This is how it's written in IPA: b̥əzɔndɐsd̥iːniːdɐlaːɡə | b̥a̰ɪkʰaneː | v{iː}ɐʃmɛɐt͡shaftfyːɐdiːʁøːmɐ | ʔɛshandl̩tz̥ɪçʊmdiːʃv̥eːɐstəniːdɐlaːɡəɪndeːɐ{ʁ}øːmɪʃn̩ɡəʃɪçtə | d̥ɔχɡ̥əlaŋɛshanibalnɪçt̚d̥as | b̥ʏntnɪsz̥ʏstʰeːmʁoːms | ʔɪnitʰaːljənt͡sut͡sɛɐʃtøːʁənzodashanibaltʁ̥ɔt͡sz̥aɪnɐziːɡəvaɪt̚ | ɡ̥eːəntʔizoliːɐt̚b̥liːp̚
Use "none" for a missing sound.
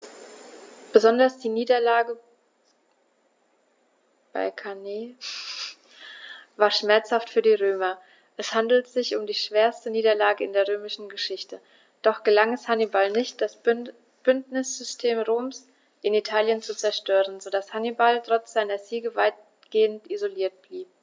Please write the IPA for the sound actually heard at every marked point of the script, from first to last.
aː, ʁ

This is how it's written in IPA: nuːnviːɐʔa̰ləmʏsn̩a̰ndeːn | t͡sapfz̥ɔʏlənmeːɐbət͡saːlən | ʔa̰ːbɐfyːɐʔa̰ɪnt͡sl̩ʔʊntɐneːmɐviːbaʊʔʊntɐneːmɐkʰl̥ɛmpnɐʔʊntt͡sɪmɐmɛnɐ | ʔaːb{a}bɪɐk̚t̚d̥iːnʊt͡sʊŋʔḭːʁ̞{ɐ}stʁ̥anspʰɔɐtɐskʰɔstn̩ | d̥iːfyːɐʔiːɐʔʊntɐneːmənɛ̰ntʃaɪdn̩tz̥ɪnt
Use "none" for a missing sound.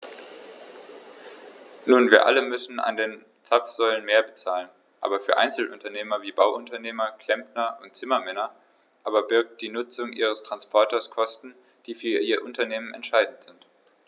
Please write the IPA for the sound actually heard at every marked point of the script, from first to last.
ɐ, ə

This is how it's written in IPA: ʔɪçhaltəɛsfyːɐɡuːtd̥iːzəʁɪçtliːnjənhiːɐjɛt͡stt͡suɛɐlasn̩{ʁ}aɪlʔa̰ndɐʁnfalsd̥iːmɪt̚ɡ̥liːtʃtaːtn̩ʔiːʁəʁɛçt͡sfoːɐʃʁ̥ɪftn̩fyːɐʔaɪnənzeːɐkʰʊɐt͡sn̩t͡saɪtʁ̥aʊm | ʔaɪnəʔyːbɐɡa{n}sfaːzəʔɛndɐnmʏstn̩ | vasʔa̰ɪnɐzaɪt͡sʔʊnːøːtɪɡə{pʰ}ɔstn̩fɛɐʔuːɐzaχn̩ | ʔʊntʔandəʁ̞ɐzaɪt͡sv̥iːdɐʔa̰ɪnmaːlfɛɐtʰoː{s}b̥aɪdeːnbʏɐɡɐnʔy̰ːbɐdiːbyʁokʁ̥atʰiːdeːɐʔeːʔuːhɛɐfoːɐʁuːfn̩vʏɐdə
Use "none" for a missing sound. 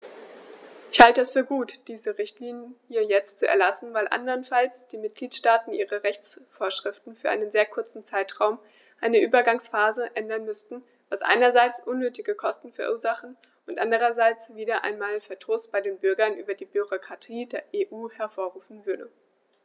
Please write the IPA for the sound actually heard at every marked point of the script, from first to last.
v, ŋ, kʰ, s

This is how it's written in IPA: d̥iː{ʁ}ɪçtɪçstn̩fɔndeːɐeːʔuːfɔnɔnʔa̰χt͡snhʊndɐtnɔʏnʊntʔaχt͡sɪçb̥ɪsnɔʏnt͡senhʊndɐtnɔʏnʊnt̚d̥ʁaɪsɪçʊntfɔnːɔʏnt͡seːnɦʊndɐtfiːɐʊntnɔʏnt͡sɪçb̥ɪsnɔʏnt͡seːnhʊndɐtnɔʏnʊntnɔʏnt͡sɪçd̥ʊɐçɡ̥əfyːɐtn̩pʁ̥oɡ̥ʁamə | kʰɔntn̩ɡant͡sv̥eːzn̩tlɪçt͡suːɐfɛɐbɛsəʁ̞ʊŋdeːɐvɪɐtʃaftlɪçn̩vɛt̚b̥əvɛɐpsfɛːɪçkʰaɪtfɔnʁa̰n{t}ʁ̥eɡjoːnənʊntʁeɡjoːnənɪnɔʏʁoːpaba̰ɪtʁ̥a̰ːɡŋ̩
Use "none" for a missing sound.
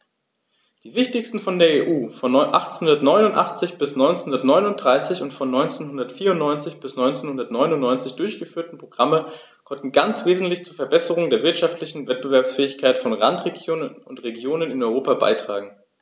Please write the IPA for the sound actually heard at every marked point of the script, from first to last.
v, t

